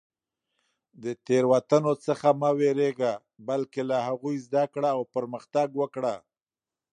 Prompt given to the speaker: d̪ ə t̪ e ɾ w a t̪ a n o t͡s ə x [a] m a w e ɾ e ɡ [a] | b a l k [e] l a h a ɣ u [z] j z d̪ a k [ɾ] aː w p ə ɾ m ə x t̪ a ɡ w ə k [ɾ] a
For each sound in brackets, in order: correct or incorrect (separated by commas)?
correct, correct, correct, incorrect, incorrect, incorrect